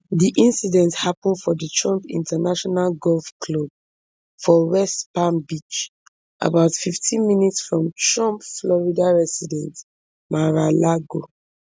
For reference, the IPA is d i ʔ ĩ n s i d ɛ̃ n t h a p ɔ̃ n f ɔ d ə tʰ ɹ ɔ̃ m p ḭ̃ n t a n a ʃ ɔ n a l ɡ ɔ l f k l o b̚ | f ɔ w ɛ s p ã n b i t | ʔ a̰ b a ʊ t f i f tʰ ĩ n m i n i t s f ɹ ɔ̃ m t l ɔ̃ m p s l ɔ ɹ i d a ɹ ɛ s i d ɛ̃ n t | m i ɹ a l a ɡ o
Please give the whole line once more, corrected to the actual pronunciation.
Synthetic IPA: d i ʔ ĩ n s i d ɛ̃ n t h a p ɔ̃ n f ɔ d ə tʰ ɹ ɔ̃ m p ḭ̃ n t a n a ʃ ɔ n a l ɡ ɔ l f k l o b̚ | f ɔ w ɛ s p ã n b i t͡ʃ | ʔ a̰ b a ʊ t f i f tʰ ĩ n m i n i t s f ɹ ɔ̃ m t ɹ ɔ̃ m p f l ɔ ɹ i d a ɹ ɛ s i d ɛ̃ n t | m a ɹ a l a ɡ o